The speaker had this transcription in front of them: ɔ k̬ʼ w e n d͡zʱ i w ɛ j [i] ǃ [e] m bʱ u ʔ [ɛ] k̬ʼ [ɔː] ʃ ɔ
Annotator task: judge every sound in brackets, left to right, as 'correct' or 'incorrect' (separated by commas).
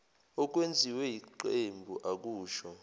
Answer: correct, correct, incorrect, incorrect